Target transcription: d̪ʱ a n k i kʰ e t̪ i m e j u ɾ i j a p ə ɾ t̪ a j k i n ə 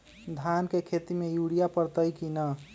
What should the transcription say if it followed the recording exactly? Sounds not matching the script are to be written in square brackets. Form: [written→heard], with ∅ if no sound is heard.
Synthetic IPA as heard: d̪ʱ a n k [i→e] kʰ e t̪ i m e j u [ɾ→ɽ] i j a p ə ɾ t̪ [a→ə] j k i n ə